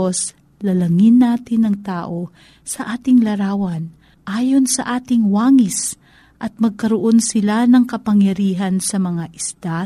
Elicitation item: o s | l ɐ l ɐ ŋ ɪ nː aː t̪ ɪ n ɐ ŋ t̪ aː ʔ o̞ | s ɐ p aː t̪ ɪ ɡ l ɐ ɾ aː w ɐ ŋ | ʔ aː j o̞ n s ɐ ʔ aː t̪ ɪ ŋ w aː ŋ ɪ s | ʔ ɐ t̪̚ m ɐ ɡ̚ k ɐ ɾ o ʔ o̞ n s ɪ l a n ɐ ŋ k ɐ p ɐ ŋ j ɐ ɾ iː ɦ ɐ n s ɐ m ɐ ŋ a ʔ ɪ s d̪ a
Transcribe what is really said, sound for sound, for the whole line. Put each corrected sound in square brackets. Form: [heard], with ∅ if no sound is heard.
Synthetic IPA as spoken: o s | l ɐ l ɐ ŋ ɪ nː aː t̪ ɪ n ɐ ŋ t̪ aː ʔ o̞ | s ɐ [ʔ] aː t̪ ɪ [ŋ] l ɐ ɾ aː w ɐ [n] | ʔ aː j o̞ n s ɐ ʔ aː t̪ ɪ ŋ w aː ŋ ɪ s | ʔ ɐ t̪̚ m ɐ ɡ̚ k ɐ ɾ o ʔ o̞ n s ɪ l a n ɐ ŋ k ɐ p ɐ ŋ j ɐ ɾ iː ɦ ɐ n s ɐ m ɐ ŋ a ʔ ɪ s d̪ a